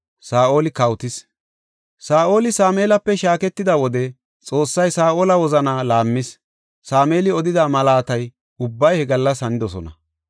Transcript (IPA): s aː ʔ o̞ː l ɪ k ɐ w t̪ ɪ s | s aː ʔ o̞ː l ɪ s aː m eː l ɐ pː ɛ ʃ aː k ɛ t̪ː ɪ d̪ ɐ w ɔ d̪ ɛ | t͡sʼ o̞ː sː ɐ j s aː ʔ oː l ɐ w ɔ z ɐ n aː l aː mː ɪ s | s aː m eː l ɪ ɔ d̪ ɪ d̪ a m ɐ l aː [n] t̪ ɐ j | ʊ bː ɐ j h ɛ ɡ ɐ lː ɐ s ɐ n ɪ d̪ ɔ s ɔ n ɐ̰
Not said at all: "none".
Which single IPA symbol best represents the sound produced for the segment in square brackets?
none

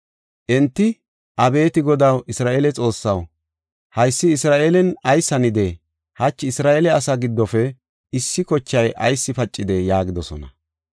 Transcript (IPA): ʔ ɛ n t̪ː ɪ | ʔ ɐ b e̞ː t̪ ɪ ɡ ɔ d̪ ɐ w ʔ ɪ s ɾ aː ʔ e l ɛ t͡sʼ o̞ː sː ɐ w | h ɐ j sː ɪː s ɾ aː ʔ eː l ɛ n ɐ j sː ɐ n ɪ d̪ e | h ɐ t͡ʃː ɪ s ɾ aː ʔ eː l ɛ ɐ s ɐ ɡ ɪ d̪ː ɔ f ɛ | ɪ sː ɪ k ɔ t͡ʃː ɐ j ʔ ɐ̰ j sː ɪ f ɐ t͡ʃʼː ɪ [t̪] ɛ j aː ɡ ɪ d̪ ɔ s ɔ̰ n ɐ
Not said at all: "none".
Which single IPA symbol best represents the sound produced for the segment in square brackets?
d̪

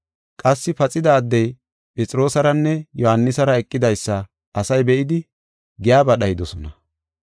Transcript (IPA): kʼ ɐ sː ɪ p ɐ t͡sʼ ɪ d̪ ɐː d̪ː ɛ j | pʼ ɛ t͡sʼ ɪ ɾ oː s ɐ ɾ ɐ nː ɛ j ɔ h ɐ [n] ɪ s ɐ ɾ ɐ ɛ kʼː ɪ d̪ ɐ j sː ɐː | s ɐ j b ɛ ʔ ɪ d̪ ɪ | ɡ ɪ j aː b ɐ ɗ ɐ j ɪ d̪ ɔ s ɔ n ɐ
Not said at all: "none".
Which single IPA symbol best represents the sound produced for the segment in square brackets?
nː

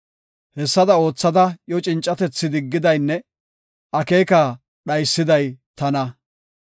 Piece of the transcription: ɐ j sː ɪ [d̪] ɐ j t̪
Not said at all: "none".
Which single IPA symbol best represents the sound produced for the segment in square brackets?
d̪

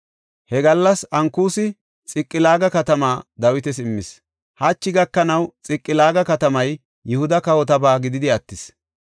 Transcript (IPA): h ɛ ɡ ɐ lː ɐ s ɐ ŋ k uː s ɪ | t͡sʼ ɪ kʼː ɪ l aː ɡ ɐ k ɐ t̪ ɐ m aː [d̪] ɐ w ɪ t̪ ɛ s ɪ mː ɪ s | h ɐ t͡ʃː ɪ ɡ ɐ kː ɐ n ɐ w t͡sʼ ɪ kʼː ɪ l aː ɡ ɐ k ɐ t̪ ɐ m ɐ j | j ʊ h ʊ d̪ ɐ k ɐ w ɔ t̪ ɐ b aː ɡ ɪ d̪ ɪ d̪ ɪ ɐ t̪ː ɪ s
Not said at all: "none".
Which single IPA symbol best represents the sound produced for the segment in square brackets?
d̪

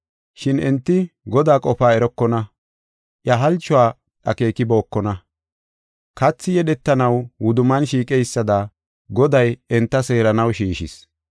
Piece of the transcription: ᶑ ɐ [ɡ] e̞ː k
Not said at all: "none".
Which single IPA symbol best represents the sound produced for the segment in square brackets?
k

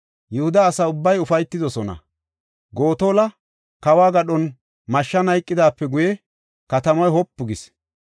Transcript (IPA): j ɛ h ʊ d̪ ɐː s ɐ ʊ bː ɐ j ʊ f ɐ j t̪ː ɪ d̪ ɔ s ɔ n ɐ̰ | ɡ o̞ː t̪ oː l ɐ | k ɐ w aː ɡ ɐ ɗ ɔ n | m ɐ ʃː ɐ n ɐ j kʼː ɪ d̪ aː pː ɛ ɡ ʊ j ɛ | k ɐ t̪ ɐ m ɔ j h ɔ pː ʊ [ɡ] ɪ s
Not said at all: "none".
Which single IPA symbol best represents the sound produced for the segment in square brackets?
ɡ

